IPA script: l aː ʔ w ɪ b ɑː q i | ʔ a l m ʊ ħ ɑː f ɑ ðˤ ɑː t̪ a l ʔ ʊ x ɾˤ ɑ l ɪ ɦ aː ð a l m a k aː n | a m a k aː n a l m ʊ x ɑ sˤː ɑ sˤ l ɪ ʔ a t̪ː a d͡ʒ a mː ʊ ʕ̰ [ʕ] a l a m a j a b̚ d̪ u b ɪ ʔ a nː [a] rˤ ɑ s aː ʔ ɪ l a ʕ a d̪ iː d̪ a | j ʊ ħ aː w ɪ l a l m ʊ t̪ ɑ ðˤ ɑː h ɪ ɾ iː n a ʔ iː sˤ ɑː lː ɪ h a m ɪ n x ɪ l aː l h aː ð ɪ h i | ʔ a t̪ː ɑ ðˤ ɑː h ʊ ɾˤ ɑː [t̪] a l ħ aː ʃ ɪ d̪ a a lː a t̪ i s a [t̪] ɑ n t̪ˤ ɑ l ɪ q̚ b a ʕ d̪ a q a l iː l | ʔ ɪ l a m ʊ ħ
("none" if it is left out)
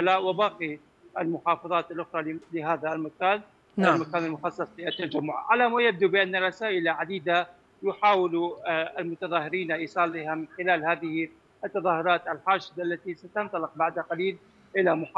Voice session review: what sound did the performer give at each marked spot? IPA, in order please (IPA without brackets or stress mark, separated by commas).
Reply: ʕ, a, t̪, t̪